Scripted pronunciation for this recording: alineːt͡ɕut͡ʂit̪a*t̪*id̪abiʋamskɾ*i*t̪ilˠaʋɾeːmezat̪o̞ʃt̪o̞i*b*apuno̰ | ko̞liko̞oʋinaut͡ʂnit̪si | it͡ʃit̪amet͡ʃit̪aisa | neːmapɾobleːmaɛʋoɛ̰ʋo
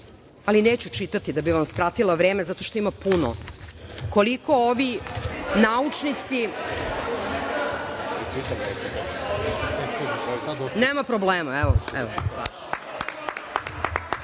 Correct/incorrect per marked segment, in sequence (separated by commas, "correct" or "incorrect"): correct, incorrect, incorrect